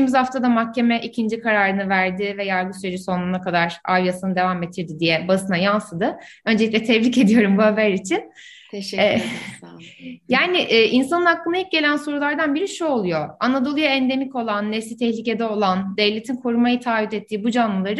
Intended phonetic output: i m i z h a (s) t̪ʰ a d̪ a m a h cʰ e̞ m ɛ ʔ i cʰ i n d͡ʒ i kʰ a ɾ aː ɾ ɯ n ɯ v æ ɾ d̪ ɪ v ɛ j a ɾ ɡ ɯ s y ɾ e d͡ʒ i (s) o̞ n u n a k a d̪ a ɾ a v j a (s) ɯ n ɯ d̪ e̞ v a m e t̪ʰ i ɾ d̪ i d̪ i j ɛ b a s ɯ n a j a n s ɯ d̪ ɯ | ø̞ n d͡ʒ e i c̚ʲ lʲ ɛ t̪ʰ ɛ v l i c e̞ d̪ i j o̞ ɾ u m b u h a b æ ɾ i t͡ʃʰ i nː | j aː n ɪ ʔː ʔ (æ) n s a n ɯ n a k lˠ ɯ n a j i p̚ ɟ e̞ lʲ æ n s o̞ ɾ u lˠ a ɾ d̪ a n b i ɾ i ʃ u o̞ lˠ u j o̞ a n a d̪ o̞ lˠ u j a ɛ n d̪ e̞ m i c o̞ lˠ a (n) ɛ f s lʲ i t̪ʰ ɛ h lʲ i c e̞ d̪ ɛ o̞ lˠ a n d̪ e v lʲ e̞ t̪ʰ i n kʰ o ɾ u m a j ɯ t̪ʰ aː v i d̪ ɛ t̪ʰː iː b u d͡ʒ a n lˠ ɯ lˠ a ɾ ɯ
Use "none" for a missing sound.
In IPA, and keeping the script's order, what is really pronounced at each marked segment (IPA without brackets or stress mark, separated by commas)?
f, s, s, i, nː